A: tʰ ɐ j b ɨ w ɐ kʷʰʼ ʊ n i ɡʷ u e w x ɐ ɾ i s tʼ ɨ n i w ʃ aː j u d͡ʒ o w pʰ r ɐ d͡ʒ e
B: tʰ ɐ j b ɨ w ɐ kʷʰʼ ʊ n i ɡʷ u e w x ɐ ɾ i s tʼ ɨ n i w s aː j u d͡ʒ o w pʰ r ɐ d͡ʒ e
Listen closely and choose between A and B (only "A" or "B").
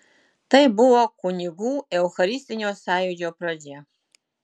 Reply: B